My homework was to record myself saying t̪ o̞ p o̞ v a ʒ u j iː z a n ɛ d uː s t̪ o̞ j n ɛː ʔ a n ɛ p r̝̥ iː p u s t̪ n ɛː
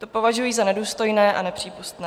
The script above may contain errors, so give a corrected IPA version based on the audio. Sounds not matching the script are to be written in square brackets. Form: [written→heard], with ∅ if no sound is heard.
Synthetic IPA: t̪ o̞ p o̞ v a ʒ u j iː z a n ɛ d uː s t̪ o̞ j n ɛː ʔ a n ɛ p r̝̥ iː p u s t̪ n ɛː